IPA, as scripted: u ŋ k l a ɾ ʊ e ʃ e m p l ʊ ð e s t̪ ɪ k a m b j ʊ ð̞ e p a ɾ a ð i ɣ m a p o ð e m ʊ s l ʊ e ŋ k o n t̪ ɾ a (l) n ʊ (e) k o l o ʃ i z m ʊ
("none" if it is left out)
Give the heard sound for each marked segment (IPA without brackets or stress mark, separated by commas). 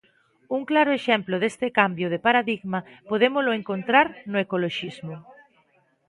ɾ, e